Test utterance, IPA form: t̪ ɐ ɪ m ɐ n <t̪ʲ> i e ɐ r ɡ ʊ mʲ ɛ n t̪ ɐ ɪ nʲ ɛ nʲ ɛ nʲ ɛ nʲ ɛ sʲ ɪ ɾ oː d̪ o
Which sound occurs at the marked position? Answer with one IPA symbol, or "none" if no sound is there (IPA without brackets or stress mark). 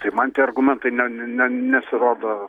t̪ʲ